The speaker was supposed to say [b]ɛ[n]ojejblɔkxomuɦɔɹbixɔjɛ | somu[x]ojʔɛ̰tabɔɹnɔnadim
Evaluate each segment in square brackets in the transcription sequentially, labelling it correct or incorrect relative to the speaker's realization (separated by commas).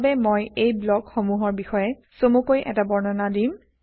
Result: correct, incorrect, incorrect